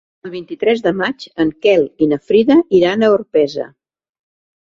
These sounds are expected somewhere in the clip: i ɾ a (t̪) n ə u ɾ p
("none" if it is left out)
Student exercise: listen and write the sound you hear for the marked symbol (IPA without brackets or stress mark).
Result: none